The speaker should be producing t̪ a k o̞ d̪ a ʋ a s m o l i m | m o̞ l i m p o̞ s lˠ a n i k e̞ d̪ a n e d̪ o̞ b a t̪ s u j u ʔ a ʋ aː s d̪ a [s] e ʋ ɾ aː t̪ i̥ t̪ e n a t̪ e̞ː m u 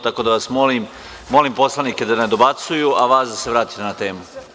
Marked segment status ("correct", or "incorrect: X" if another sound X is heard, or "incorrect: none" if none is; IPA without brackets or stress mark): correct